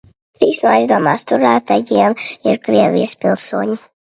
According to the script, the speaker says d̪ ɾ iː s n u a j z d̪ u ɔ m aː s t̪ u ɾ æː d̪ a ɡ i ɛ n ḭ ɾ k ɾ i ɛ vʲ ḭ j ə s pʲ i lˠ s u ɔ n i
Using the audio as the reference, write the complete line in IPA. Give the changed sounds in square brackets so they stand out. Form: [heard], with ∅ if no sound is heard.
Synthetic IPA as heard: [t̪] ɾ iː s n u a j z d̪ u ɔ m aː s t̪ u ɾ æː [t̪] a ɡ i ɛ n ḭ ɾ k ɾ i ɛ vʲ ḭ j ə s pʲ i lˠ s u ɔ [ɲ] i